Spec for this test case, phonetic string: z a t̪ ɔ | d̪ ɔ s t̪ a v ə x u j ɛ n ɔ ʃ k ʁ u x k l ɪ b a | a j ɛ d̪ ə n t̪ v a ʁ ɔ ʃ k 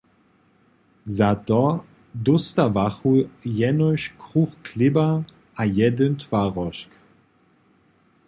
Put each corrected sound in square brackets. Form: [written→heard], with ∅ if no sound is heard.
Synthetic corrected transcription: z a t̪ ɔ | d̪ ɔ s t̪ a v [ə→a] x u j ɛ n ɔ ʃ k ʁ u x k l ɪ b a | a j ɛ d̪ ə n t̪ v a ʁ ɔ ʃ k